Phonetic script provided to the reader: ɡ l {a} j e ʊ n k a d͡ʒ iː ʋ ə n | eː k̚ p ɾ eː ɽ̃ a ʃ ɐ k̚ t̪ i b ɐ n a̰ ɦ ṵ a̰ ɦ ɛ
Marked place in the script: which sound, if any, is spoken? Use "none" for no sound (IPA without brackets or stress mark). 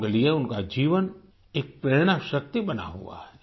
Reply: i